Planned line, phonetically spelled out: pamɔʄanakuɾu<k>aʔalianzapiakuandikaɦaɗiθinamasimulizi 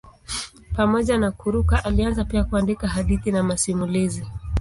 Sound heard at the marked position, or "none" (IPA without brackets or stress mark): k